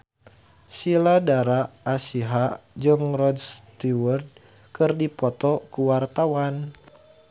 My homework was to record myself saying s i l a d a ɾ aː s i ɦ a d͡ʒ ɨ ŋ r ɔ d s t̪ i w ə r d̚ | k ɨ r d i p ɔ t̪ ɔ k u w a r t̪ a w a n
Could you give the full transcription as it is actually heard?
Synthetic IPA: s i l a d a ɾ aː s i ɦ a d͡ʒ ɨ ŋ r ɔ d s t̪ i w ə r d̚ | k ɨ r d i p ɔ t̪ ɔ k u w a r t̪ a w a n